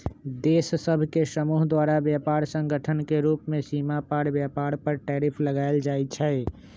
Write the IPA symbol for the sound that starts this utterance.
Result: d̪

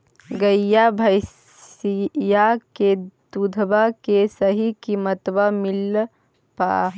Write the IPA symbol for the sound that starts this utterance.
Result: ɡ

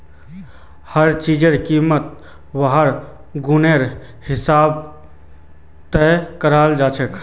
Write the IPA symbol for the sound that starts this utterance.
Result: h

